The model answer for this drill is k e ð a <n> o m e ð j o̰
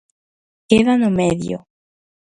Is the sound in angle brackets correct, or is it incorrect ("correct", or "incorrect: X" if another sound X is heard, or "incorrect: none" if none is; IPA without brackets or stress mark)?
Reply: correct